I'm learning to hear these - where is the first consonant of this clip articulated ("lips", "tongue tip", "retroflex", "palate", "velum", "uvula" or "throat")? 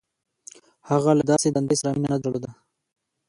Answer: throat